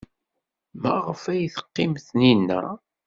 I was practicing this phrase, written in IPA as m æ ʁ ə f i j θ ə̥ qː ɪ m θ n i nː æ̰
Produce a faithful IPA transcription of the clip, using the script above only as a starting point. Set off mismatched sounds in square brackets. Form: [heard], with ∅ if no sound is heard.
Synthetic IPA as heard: m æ ʁ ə f [æ] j θ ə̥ qː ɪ m θ n i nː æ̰

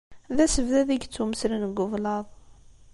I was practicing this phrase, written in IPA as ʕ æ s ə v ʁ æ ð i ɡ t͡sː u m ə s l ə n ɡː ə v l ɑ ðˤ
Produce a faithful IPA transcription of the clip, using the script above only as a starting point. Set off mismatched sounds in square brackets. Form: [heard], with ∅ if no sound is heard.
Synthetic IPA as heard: [ð] æ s ə v [ð] æ ð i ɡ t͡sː u m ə s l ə n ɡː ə v l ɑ ðˤ

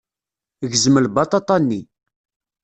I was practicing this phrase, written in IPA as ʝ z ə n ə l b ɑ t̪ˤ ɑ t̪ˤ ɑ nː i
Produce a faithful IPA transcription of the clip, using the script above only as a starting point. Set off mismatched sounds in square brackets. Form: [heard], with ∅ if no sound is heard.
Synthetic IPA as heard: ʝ z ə [m] ə l b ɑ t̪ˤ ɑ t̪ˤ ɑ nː i

